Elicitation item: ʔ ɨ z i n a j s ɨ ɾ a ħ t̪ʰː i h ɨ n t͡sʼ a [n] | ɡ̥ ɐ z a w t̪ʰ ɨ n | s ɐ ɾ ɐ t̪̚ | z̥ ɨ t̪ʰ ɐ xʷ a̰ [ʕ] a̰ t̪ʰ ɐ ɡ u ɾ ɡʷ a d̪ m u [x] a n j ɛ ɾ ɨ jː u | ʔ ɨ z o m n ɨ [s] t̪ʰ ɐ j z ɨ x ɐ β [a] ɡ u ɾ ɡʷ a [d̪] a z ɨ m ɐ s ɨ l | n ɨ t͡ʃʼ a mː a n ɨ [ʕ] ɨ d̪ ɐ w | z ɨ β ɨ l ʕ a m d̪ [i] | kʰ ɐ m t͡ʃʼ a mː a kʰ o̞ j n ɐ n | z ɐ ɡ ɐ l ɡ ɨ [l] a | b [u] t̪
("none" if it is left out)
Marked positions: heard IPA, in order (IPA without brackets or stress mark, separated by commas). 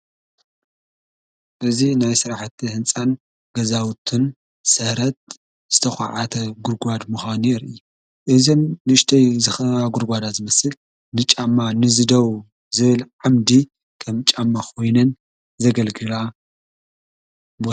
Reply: n, ʕ, x, ʃ, a, d̪, z, i, l, o